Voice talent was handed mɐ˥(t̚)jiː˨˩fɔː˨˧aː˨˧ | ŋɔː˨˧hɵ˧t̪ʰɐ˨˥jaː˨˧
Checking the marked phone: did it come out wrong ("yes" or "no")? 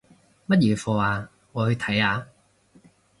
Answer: no